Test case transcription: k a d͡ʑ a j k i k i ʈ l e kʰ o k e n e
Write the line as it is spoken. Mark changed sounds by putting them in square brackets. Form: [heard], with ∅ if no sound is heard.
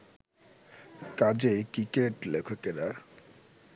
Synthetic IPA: k a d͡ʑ [e] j k i k [e] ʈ l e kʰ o k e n [a]